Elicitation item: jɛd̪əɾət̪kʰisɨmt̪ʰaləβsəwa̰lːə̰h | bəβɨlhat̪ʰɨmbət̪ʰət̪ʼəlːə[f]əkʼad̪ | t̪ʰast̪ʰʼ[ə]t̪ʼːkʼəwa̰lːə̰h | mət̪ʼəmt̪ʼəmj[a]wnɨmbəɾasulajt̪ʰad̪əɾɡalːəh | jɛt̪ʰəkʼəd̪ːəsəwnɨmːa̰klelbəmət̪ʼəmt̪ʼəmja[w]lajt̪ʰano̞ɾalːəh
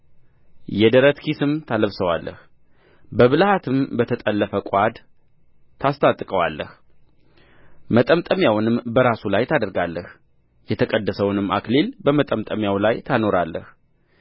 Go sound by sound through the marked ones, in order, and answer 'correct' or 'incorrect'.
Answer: correct, incorrect, correct, correct

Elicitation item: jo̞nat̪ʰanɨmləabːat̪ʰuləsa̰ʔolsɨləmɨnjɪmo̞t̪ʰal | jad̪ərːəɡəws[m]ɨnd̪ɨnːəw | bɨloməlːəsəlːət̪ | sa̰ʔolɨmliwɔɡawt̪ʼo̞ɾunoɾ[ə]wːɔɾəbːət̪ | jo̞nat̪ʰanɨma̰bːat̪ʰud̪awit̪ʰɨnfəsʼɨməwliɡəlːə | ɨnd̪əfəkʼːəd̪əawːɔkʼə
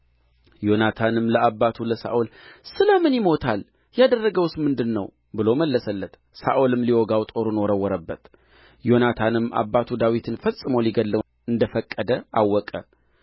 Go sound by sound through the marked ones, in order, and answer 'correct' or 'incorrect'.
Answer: correct, correct

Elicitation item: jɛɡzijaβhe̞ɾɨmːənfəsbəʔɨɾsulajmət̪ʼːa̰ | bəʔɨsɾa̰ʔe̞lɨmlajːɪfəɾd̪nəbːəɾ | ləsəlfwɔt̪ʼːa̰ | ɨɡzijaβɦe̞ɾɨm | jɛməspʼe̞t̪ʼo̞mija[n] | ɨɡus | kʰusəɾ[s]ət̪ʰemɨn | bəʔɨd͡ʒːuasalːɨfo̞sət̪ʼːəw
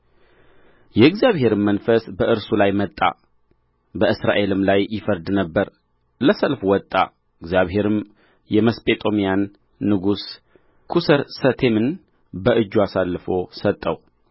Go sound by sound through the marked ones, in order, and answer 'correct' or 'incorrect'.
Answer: incorrect, correct

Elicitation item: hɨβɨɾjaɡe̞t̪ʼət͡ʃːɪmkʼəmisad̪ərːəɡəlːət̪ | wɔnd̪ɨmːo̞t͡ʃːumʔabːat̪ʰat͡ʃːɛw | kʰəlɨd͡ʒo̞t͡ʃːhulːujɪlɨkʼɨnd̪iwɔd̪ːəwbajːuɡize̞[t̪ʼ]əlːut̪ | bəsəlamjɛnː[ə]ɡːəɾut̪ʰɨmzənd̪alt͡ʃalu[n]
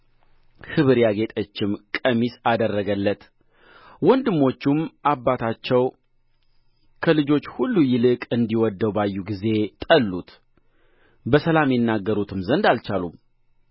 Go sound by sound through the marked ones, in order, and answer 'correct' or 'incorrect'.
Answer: correct, incorrect, incorrect

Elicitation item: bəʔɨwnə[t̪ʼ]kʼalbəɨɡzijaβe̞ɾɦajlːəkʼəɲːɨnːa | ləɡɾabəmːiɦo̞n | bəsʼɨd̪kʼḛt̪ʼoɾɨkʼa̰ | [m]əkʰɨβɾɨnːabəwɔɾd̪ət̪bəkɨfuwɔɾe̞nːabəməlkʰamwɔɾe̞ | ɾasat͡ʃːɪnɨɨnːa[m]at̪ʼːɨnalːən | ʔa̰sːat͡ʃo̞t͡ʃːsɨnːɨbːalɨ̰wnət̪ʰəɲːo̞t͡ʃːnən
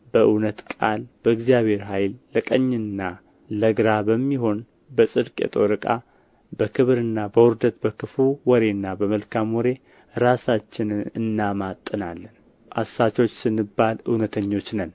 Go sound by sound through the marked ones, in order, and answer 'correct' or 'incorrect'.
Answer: incorrect, incorrect, correct

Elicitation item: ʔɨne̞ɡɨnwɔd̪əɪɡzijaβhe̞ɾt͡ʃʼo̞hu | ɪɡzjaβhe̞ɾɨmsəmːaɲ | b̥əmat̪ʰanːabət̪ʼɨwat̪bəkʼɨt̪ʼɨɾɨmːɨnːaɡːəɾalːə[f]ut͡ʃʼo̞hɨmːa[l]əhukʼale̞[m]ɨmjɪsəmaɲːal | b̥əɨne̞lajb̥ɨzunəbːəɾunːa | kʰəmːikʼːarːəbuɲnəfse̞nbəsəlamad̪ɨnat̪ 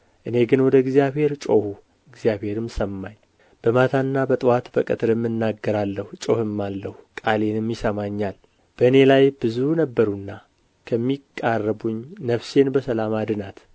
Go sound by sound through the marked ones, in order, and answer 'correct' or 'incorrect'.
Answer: incorrect, incorrect, incorrect

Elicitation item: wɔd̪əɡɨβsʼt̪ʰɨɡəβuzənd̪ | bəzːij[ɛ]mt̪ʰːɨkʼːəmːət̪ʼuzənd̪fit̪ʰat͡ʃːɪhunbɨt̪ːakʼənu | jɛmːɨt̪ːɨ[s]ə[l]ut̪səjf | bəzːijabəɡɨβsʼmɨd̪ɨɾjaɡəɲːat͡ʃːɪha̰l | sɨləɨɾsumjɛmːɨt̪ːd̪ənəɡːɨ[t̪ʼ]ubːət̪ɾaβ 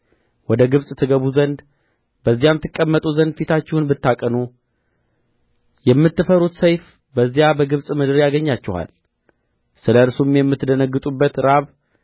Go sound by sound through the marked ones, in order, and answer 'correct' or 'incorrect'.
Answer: incorrect, incorrect, incorrect, correct

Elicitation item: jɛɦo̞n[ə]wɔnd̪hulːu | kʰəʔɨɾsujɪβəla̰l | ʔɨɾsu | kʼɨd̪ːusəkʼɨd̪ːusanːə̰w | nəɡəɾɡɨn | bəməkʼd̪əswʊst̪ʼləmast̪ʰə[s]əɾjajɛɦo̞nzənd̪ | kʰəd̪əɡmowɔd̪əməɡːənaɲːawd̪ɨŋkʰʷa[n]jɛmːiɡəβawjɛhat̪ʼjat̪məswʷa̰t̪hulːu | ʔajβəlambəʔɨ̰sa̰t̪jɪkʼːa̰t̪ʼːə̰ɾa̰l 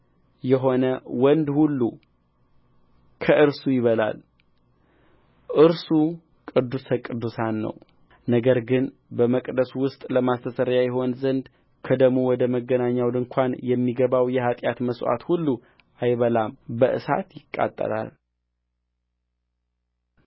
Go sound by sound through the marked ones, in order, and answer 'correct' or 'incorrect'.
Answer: correct, correct, correct

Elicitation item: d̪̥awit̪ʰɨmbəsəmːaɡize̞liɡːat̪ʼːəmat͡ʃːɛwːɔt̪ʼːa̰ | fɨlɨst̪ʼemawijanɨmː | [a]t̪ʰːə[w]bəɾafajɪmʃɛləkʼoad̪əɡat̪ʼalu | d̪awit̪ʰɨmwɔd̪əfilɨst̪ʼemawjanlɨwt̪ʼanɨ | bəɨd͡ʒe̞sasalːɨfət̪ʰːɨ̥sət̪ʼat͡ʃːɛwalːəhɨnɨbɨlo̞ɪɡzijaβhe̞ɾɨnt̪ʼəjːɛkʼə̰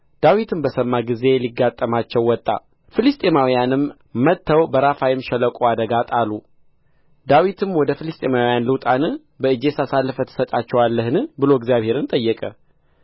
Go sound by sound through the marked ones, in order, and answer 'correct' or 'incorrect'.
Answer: incorrect, correct

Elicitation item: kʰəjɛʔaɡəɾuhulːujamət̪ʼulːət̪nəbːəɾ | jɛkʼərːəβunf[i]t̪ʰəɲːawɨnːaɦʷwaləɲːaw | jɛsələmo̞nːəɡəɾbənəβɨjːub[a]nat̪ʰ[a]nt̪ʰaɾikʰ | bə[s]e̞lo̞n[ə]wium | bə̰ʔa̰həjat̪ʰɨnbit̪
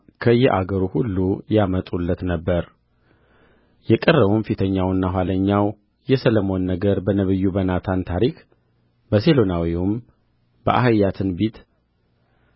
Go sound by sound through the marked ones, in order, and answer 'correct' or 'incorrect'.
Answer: correct, incorrect, correct, correct, incorrect

